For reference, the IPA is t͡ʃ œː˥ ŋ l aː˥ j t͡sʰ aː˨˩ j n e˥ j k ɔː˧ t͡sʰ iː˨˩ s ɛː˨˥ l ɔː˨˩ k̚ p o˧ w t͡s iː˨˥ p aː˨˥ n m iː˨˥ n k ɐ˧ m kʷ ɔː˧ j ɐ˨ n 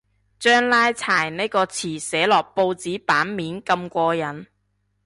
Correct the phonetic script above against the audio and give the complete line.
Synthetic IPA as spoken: t͡ʃ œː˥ ŋ l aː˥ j t͡sʰ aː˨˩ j n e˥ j k ɔː˧ t͡sʰ iː˨˩ s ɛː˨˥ l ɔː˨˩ k̚ p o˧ w t͡s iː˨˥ p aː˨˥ n m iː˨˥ n k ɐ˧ m kʷ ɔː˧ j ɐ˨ n

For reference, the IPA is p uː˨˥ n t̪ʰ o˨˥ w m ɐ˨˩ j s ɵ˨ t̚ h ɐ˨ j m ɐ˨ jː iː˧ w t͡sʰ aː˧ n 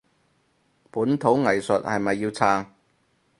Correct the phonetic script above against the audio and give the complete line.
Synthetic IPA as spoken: p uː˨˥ n t̪ʰ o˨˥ w ŋ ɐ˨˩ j s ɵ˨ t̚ h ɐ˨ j m ɐ˨ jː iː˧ w t͡sʰ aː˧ ŋ

